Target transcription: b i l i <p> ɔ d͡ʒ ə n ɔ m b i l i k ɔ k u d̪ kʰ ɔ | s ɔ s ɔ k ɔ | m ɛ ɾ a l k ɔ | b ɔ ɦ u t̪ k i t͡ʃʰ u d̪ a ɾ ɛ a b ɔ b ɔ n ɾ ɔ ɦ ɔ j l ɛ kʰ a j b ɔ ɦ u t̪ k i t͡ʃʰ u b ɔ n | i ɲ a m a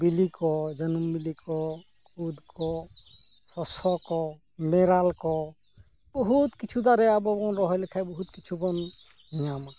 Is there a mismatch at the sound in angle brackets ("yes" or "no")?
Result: yes